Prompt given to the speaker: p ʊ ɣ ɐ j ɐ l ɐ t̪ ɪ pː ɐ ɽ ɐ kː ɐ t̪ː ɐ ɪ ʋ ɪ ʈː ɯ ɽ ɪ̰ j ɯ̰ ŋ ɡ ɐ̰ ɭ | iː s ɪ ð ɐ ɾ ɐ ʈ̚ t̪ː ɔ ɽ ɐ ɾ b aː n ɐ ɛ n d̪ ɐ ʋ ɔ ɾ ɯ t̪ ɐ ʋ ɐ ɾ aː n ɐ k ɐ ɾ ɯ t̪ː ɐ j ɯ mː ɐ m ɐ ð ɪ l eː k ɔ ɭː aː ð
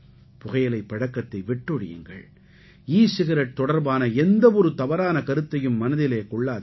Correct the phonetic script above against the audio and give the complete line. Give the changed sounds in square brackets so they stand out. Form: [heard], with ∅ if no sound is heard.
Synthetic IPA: p ʊ ɣ ɐ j ɐ l ɐ [∅] ɪ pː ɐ ɽ ɐ kː ɐ t̪ː ɐ ɪ ʋ ɪ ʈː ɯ ɽ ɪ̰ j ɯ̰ ŋ ɡ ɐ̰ ɭ | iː s ɪ [ɣ] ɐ ɾ ɐ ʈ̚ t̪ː ɔ ɽ ɐ ɾ b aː n ɐ ɛ n d̪ ɐ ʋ ɔ ɾ ɯ t̪ ɐ ʋ ɐ ɾ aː n ɐ k ɐ ɾ ɯ t̪ː ɐ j ɯ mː ɐ [n] ɐ ð ɪ l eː k ɔ ɭː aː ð